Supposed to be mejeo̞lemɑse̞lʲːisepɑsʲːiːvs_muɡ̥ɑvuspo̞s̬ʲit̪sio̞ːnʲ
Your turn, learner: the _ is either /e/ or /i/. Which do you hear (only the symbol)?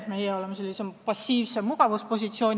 e